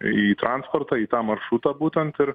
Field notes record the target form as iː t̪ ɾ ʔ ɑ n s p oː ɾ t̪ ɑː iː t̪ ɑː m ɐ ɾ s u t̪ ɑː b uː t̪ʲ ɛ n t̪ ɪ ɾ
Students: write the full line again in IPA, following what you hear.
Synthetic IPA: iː t̪ ɾ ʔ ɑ n s p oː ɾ t̪ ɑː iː t̪ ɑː m ɐ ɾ ʃ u t̪ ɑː b uː t̪ʲ ɛ n t̪ ɪ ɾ